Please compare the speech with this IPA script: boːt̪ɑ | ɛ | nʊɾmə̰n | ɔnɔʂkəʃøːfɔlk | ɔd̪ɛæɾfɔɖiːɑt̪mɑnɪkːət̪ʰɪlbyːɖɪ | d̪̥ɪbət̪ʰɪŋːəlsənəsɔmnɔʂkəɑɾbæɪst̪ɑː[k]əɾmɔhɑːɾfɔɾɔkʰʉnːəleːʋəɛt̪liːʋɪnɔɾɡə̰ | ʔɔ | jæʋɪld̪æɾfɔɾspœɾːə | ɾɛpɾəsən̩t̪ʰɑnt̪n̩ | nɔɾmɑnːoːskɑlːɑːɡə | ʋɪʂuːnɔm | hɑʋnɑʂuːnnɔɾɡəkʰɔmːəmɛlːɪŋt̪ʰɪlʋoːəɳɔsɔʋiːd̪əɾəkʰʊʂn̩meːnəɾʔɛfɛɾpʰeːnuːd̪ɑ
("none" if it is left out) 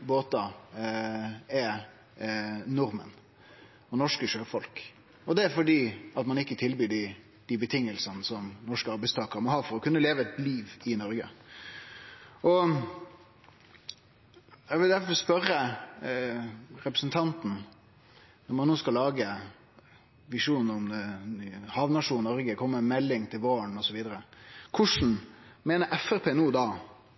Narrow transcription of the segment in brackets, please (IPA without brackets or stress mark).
k